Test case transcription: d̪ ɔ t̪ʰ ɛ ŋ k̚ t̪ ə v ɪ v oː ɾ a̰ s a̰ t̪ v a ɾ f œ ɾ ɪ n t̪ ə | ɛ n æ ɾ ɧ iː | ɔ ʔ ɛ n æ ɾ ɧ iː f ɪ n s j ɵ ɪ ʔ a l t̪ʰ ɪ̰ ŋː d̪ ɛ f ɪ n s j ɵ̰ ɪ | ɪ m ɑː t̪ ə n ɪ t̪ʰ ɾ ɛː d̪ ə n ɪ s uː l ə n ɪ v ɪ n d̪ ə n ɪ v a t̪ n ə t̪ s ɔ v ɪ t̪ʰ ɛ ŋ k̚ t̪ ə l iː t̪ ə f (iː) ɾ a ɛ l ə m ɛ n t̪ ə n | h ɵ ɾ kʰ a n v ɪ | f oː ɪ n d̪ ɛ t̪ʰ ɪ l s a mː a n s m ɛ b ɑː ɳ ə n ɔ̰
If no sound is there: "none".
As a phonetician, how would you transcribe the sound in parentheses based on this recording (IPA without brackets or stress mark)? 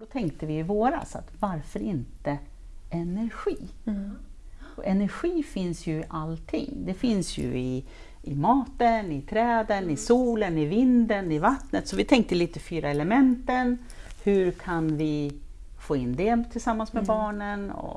yː